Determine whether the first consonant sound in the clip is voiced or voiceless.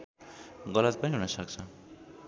voiced